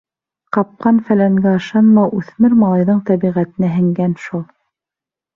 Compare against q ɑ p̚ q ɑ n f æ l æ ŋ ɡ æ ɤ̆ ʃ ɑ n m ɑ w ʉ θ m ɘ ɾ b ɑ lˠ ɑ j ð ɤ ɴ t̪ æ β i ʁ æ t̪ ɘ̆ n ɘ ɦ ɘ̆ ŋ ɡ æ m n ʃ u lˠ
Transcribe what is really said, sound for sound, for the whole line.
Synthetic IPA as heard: q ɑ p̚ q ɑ n f æ l æ ŋ ɡ æ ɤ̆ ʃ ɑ n m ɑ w ʉ θ m ɘ ɾ m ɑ lˠ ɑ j ð ɤ ɴ t̪ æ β i ʁ æ t̪ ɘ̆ n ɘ ɦ ɘ̆ ŋ ɡ æ n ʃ u lˠ